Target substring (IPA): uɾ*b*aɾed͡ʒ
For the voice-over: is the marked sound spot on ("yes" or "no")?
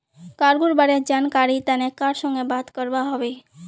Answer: yes